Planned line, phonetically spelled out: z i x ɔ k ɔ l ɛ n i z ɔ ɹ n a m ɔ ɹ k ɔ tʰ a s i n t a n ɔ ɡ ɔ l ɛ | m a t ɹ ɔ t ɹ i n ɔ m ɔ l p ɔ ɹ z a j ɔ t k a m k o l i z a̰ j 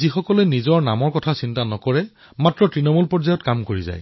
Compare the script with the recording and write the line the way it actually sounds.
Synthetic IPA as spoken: z i x ɔ k ɔ l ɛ n i z ɔ ɹ n a m ɔ ɹ k ɔ tʰ a s i n t a n ɔ k ɔ ɹ ɛ | m a t ɹ ɔ t ɹ i n ɔ m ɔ l p ɔ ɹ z a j ɔ t k a m k o ɹ i z a̰ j